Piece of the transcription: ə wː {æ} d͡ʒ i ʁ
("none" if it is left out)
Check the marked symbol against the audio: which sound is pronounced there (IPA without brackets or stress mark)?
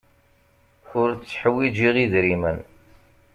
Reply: i